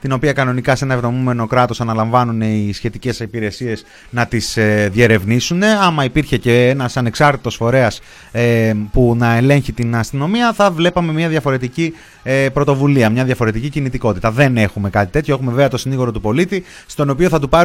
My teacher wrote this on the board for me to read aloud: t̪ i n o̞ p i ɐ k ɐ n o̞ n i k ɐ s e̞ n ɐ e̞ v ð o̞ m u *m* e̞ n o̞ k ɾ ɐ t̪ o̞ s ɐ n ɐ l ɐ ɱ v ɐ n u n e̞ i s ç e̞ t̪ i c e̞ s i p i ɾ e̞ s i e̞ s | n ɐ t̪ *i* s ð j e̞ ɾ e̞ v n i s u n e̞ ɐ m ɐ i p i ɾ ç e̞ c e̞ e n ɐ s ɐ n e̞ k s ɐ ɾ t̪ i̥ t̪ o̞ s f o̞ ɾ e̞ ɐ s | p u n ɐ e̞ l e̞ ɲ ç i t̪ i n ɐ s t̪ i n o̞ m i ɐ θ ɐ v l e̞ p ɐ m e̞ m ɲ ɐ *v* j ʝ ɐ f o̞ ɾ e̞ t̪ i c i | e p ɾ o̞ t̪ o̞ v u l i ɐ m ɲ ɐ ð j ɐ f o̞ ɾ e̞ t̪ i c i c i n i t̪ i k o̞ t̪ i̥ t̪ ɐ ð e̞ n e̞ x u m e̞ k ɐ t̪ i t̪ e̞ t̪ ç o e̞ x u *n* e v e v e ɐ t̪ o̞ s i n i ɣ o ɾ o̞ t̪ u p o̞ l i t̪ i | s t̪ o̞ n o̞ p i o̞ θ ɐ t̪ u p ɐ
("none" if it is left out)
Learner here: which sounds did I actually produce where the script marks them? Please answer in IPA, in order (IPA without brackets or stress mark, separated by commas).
m, i, ð, m